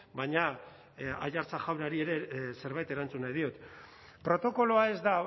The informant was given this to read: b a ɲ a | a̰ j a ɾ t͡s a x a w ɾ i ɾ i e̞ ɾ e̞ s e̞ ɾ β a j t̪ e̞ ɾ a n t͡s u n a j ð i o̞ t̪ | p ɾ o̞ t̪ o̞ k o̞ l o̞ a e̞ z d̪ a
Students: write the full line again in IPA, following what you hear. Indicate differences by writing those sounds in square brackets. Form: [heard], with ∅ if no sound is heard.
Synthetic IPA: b a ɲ a | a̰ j a ɾ t͡s a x a w ɾ [a] ɾ i e̞ ɾ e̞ s e̞ ɾ β a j t̪ e̞ ɾ a n t͡s u n a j ð i o̞ t̪ | p ɾ o̞ t̪ o̞ k o̞ l o̞ a e̞ z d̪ a